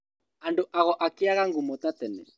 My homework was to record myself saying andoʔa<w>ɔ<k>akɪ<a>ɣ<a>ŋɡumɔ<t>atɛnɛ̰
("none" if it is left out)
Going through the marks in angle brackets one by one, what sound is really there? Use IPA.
ɣ, ʔ, a, a, t

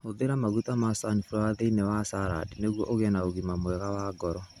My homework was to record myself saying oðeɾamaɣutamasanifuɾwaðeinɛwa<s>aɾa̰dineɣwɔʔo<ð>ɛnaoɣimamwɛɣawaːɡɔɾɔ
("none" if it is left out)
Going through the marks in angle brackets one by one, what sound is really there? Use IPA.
s, ɣ

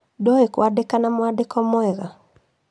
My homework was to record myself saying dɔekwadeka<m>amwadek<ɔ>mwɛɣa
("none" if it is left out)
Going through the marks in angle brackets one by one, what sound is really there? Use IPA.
n, ɔ

